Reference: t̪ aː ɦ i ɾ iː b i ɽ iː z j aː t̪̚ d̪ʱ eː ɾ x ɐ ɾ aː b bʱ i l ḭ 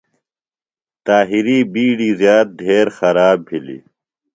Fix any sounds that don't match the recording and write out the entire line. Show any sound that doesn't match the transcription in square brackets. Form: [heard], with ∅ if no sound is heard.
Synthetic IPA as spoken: t̪ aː ɦ i ɾ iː b [iː] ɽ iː z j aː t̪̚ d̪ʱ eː ɾ x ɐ ɾ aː b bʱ i l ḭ